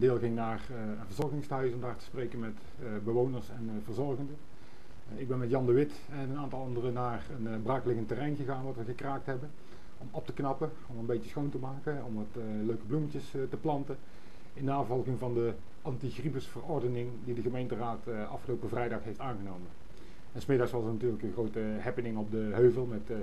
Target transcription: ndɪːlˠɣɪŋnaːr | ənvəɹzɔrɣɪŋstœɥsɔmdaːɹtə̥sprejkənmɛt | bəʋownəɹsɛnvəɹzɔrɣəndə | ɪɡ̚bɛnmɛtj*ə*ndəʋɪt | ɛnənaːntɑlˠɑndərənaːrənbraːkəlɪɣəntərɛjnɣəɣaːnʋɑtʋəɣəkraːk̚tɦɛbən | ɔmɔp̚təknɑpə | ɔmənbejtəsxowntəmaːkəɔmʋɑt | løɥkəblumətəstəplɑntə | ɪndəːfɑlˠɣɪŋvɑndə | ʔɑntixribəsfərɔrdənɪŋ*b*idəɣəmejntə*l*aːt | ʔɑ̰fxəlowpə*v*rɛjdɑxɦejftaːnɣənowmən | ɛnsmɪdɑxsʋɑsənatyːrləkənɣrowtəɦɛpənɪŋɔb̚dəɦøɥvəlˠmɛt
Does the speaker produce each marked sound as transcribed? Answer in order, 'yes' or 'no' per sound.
no, no, no, yes

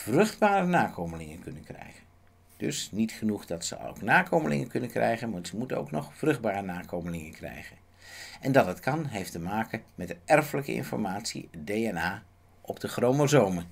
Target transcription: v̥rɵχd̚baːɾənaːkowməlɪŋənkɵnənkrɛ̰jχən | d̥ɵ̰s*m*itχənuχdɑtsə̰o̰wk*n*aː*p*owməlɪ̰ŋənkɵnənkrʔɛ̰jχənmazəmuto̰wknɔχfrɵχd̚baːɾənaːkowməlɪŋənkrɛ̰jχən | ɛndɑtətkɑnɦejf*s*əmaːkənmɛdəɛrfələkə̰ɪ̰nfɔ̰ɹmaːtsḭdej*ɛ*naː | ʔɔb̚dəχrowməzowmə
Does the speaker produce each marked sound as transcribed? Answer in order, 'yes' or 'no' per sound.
no, yes, no, no, yes

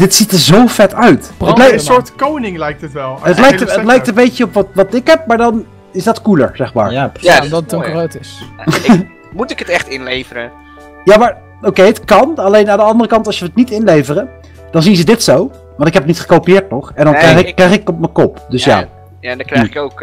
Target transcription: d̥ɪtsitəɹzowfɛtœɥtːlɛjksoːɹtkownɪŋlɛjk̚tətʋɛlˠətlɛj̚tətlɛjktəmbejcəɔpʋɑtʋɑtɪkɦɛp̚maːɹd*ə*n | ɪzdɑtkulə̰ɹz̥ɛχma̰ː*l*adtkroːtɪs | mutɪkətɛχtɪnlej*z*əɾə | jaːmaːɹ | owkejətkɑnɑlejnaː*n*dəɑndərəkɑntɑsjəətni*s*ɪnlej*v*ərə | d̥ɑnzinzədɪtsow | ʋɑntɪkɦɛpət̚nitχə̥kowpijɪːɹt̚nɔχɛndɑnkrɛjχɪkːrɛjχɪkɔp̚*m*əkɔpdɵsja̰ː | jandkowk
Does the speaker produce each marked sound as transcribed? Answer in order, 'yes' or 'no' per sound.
no, no, no, yes, no, yes, yes

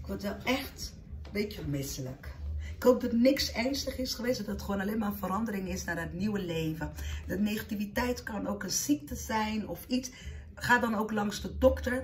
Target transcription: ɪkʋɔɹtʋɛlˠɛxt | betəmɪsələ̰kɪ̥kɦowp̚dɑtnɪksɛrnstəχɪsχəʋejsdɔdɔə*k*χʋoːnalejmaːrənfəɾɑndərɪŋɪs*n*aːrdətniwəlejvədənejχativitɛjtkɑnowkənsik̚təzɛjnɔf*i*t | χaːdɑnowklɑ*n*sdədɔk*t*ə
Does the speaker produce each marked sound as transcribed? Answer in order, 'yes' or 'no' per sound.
no, yes, yes, no, yes

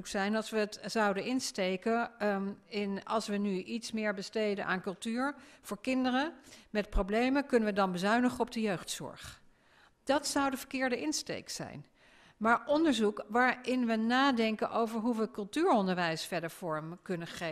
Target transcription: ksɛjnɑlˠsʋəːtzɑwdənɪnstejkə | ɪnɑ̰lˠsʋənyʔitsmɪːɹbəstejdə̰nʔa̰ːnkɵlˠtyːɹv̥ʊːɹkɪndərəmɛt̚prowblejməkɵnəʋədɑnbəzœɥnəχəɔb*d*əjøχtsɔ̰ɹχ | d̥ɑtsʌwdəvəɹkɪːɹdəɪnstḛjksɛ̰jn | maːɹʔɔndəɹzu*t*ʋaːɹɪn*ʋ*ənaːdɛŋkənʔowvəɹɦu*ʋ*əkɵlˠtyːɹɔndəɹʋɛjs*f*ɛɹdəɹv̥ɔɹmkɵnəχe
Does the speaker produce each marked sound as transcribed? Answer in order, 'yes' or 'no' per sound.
yes, no, yes, yes, yes

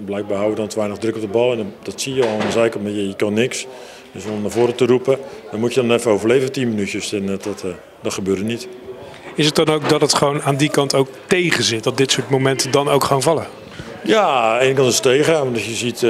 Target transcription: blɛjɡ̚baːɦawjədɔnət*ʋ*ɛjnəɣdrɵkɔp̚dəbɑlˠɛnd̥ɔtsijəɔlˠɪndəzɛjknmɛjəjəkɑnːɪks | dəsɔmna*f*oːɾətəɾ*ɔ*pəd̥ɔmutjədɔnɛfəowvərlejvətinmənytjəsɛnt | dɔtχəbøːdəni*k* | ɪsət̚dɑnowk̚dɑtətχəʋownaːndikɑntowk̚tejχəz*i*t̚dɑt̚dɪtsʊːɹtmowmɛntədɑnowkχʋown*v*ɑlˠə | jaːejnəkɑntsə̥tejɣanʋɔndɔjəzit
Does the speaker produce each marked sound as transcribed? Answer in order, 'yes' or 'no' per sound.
yes, no, no, no, no, yes

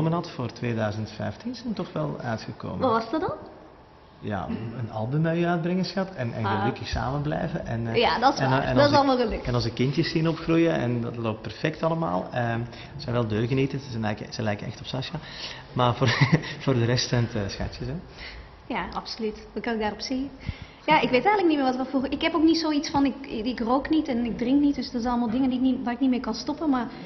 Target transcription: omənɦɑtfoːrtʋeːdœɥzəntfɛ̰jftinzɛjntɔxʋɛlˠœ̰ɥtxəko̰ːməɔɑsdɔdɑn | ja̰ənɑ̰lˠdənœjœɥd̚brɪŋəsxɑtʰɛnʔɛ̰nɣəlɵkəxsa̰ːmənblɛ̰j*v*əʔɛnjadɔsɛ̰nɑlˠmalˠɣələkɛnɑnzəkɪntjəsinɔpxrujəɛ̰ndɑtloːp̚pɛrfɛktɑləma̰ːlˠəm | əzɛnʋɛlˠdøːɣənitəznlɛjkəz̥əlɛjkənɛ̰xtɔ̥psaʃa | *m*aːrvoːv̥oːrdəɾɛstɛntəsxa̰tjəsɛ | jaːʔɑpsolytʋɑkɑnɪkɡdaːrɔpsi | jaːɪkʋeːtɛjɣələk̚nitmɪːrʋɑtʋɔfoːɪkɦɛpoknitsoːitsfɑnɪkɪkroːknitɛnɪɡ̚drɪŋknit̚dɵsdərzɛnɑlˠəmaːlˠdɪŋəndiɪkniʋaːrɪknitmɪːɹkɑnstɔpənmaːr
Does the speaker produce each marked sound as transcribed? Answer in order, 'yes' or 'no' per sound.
yes, yes

